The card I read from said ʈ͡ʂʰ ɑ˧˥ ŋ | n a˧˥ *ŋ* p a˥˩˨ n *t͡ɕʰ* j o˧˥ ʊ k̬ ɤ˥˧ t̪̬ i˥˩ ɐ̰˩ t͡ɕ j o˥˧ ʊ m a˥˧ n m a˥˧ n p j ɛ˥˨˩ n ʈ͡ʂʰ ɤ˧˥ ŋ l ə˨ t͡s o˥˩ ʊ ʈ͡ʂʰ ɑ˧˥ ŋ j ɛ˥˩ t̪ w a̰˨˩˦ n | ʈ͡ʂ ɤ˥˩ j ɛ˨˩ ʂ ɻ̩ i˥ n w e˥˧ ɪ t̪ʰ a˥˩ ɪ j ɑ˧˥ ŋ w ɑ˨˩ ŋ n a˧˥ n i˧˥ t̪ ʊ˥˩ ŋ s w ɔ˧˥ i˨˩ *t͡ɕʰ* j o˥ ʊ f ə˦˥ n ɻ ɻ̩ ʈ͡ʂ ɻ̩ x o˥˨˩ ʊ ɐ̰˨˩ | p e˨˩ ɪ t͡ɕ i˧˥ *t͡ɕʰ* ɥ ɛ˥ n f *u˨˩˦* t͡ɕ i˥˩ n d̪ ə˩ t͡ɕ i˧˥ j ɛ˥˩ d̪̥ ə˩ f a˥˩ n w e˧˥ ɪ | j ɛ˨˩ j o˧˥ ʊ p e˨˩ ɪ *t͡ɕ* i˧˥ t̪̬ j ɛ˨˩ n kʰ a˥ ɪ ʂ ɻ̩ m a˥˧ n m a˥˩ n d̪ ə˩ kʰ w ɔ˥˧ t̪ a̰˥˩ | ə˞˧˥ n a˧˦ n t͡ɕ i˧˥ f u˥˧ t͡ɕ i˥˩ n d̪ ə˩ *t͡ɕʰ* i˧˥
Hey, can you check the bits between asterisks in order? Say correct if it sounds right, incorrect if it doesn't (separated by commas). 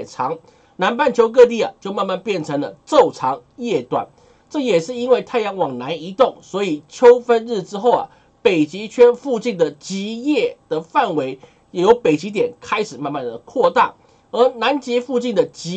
incorrect, correct, correct, correct, incorrect, correct, incorrect